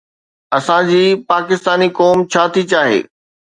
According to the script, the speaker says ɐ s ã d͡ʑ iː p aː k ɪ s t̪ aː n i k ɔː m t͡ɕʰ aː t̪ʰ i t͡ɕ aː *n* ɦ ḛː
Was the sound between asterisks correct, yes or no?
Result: no